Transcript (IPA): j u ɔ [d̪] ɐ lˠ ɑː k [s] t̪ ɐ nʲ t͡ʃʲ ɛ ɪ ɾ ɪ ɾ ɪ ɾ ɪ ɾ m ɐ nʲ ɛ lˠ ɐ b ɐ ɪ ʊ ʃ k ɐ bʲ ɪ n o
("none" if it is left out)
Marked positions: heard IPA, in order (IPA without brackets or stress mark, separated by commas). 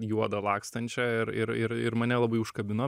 d̪, s